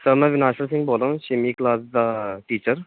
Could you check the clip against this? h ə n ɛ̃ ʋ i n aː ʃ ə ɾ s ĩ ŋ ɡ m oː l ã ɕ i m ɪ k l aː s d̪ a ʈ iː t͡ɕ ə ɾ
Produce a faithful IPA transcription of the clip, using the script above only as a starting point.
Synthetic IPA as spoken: s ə m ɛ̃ ʋ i n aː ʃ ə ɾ s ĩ ŋ ɡ b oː l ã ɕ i m i k l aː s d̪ a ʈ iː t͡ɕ ə ɾ

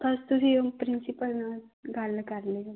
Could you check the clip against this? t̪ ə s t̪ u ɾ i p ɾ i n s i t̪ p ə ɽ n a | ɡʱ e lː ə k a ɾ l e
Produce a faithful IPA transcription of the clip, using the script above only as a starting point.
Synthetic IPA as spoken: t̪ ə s t̪ u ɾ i p ɾ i n s i p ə l n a | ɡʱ a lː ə k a ɾ l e

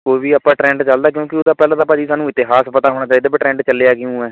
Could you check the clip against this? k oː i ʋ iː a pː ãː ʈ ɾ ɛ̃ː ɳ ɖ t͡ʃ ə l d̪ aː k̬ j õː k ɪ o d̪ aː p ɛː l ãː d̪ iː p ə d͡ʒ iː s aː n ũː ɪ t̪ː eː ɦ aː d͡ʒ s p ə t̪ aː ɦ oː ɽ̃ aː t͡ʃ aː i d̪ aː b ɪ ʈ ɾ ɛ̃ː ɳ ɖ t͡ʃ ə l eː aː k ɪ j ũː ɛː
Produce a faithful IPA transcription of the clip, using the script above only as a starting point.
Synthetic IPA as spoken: k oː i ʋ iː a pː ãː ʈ ɾ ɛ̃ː ɳ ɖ t͡ʃ ə l d̪ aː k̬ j õː k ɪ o d̪ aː p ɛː l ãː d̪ aː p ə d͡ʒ iː s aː n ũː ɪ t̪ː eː ɦ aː s p ə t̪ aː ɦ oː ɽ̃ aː t͡ʃ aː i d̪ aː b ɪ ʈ ɾ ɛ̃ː ɳ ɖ t͡ʃ ə l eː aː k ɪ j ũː ɛː

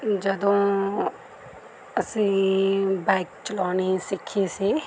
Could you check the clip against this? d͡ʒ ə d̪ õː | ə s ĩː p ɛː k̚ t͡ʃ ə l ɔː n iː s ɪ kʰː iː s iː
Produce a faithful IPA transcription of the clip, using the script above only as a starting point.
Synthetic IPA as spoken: d͡ʒ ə d̪ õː | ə s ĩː b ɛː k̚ t͡ʃ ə l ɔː n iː s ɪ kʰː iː s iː

